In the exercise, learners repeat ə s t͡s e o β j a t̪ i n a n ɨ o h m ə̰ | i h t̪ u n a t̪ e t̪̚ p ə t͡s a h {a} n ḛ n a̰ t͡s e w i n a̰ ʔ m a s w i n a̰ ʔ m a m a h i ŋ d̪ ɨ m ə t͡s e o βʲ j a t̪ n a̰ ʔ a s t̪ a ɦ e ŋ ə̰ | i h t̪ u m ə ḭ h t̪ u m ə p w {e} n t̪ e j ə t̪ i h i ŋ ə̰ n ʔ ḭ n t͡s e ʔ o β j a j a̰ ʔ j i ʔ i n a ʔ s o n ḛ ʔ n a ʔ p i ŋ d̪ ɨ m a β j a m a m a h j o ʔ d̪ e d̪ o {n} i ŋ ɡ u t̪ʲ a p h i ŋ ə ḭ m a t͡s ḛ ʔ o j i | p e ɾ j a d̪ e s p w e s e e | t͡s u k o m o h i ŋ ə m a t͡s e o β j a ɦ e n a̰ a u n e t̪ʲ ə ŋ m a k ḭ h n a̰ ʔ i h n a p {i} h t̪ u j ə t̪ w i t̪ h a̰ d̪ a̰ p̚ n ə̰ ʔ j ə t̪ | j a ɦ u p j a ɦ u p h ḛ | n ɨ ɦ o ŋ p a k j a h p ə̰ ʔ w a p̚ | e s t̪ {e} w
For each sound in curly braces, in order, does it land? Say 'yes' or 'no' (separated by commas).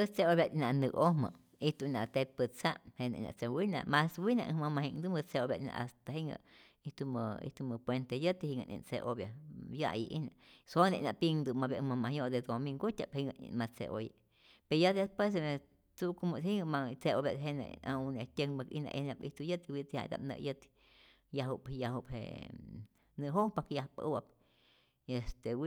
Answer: no, yes, no, yes, yes